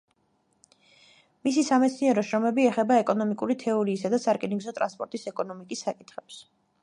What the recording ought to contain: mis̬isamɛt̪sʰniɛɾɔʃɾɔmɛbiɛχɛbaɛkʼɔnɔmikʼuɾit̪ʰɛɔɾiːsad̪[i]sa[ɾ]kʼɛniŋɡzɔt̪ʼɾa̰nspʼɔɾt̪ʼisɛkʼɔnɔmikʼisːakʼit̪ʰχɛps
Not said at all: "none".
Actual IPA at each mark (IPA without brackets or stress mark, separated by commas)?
a, ɾ